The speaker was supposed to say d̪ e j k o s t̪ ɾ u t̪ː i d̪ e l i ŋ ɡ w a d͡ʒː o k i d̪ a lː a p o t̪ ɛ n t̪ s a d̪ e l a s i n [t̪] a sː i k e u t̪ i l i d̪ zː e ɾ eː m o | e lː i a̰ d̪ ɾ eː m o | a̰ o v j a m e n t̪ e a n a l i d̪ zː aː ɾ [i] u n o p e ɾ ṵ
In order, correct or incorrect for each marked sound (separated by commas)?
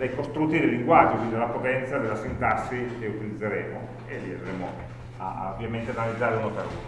correct, incorrect